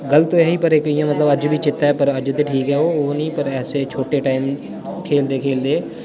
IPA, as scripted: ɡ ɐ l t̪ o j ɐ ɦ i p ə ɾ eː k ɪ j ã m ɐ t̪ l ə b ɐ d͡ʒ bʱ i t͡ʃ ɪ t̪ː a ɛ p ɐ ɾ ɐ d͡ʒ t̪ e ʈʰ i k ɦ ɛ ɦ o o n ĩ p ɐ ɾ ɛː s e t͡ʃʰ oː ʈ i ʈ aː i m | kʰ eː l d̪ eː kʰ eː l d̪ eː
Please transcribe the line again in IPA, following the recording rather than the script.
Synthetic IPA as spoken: ɡ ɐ l t̪ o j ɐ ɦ i p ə ɾ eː k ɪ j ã m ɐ t̪ l ə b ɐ d͡ʒ bʱ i t͡ʃ ɪ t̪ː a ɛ p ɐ ɾ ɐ d͡ʒ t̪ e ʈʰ iː k ɦ ɛ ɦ o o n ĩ p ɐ ɾ ɛː s e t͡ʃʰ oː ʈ e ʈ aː ɪ m | kʰ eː l d̪ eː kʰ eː l d̪ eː